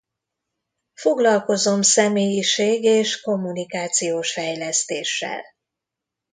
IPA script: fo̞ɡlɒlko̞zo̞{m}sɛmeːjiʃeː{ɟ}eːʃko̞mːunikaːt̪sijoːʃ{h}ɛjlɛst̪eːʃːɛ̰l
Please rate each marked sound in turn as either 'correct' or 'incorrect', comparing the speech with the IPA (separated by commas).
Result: correct, incorrect, incorrect